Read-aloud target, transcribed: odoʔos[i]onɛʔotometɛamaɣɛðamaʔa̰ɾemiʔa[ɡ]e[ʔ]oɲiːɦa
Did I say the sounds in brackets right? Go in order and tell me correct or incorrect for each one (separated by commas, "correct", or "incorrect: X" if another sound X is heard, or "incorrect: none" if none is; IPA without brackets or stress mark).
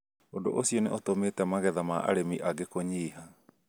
correct, correct, incorrect: k